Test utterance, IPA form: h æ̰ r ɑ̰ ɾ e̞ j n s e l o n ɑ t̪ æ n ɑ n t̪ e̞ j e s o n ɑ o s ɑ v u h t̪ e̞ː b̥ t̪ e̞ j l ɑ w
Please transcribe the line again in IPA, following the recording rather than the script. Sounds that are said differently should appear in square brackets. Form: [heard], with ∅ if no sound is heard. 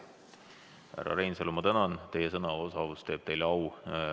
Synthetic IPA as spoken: h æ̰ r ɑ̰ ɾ e̞ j n s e l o [m] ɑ t̪ æ n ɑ n t̪ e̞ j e s [ɤ] n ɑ o s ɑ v u [s] t̪ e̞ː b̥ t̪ e̞ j l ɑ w